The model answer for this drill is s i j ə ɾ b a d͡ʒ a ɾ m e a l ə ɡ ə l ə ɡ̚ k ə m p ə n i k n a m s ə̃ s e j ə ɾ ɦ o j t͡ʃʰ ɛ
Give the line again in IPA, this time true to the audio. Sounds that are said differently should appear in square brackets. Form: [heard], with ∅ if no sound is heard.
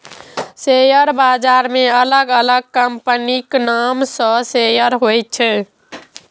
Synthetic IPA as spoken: s [e] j ə ɾ b a d͡ʒ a ɾ m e [ə] l ə ɡ ə l ə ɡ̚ k ə m p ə n i k n a m s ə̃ s e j ə ɾ ɦ o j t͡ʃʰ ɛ